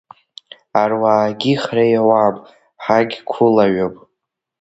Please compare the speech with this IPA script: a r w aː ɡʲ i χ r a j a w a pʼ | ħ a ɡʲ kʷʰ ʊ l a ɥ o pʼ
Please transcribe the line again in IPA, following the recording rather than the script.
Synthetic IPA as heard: a r w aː ɡʲ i χ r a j a w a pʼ | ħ a ɡʲ kʷʰ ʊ l a ɥ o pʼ